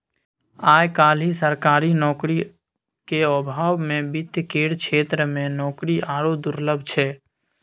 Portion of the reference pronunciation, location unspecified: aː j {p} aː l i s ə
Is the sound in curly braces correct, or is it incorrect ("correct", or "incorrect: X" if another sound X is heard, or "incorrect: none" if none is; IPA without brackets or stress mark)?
incorrect: k